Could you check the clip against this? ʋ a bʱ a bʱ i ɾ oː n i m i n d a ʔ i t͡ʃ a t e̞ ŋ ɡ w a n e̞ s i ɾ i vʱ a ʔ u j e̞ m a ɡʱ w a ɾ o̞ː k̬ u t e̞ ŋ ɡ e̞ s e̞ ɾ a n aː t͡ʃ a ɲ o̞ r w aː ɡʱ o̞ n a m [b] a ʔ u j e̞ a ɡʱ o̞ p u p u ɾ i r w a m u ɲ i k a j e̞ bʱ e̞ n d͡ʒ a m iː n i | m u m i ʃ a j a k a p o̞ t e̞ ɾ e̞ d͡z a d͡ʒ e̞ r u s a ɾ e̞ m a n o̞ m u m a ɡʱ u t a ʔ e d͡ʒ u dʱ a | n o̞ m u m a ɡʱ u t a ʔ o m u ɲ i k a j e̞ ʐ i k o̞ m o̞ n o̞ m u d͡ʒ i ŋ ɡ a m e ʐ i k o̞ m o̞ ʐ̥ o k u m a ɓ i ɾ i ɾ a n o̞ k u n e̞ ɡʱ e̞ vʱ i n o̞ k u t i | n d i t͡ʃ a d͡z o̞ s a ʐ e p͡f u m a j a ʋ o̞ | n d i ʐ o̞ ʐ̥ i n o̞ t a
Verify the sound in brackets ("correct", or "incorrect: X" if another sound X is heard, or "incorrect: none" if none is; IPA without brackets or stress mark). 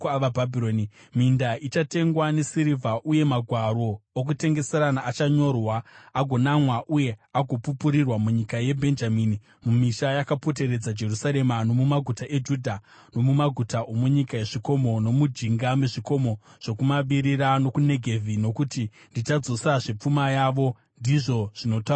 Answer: incorrect: w